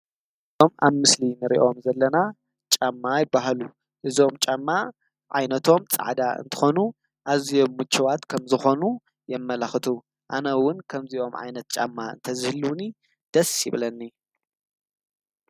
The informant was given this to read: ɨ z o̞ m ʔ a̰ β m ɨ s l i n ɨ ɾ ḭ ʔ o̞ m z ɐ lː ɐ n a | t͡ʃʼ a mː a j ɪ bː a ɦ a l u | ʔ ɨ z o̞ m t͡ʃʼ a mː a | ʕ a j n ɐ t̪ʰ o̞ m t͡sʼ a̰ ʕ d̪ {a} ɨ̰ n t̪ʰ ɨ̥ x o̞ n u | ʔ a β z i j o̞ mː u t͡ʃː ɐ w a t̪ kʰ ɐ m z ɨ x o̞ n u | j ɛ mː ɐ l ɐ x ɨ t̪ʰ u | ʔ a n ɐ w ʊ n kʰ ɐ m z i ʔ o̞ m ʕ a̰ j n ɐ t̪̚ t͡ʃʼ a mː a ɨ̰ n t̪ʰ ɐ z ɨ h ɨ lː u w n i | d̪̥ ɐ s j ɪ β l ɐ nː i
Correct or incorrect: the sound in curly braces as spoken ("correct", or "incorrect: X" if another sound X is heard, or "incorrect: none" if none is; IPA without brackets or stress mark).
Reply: correct